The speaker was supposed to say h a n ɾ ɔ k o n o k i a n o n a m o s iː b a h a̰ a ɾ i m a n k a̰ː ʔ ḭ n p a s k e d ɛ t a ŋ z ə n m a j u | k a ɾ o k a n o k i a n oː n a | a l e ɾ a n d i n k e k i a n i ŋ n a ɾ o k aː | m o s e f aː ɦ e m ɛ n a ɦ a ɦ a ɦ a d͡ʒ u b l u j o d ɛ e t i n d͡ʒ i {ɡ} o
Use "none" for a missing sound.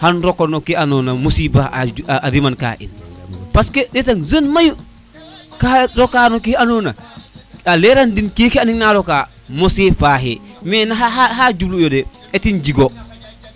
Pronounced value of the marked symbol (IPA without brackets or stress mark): ɡ